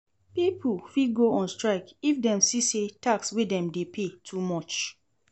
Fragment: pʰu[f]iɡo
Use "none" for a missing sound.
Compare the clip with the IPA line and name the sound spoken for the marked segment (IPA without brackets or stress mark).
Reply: f